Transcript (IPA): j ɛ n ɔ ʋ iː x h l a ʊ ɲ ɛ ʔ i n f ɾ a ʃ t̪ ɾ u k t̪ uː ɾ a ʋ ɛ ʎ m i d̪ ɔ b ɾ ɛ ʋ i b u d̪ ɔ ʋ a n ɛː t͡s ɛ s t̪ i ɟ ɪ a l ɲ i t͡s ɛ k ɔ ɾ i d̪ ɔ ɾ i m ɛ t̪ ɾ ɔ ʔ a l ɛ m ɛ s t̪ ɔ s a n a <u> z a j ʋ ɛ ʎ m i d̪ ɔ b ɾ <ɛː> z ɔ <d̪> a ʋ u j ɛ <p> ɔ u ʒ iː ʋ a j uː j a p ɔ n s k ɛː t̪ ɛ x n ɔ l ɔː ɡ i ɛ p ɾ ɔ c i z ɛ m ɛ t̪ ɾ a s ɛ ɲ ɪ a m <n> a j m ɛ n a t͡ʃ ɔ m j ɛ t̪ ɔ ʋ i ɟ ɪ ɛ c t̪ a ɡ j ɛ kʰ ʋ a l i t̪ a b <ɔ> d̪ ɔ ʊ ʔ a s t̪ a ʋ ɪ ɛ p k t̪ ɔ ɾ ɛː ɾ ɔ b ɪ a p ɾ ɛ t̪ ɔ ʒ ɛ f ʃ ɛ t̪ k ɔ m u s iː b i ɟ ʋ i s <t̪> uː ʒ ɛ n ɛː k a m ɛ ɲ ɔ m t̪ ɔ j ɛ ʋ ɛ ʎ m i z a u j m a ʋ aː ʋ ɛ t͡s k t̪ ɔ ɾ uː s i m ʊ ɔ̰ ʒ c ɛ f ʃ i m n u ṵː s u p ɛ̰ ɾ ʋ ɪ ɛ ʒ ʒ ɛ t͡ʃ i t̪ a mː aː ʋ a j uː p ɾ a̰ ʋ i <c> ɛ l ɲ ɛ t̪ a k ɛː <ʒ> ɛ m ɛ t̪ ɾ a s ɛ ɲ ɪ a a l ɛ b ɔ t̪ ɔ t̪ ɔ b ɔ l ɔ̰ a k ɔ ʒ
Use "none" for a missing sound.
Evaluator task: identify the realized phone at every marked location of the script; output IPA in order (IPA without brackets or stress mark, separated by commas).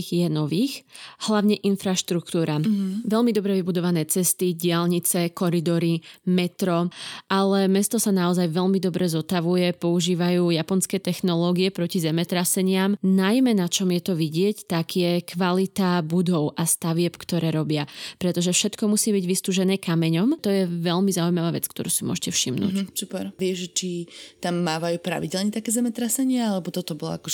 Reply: ɔ, ɛ, t̪, p, n, u, t̪, ɟ, z